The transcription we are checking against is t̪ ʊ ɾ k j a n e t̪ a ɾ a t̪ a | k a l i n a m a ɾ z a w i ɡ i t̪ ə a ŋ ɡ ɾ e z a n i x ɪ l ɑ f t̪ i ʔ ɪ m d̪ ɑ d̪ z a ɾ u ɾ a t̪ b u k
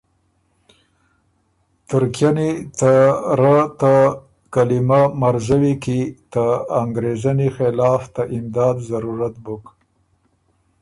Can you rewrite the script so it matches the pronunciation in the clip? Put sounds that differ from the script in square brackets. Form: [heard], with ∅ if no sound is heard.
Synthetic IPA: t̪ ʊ ɾ k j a n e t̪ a ɾ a t̪ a | k a l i [m] a m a ɾ z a w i [k] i t̪ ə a ŋ ɡ ɾ e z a n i x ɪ l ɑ f t̪ [a] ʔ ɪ m d̪ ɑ d̪ z a ɾ u ɾ a t̪ b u k